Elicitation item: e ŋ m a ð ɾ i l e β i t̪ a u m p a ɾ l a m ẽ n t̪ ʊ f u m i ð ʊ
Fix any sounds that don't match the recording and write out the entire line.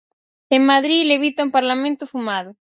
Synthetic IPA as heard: e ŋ m a ð ɾ i l e β i t̪ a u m p a ɾ l a m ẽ n t̪ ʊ f u m a ð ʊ